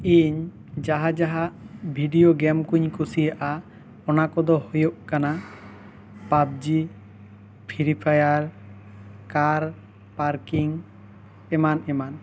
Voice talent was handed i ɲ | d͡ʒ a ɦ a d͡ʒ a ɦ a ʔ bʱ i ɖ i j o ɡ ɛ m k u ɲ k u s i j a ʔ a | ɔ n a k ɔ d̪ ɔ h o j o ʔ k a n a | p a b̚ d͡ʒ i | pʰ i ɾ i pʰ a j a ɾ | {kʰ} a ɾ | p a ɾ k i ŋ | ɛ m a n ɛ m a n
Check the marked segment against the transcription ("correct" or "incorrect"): incorrect